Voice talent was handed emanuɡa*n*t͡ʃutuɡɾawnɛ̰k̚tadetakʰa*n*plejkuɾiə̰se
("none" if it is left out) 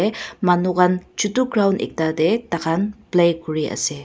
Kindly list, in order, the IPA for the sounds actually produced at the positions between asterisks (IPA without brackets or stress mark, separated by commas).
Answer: n, n